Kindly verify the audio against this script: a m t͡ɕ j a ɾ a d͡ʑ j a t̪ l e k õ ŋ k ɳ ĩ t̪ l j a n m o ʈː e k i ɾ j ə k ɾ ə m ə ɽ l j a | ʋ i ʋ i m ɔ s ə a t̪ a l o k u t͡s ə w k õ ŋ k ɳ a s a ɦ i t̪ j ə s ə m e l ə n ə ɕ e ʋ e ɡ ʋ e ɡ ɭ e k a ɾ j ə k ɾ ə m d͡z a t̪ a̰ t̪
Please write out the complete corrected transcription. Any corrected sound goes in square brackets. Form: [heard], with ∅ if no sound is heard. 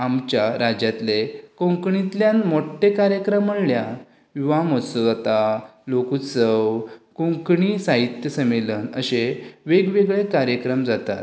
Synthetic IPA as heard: a m t͡ɕ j a ɾ a d͡ʑ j a t̪ l e k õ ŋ k ɳ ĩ t̪ l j a n m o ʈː e k [a] ɾ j ə k ɾ ə m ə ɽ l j a | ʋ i ʋ [a] m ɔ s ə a t̪ a l o k u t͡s ə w k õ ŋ k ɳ [i] s a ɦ i t̪ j ə s ə m e l ə n ə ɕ e ʋ e ɡ ʋ e ɡ ɭ e k a ɾ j ə k ɾ ə m d͡z a t̪ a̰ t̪